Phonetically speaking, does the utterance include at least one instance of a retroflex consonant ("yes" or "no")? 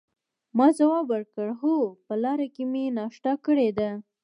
yes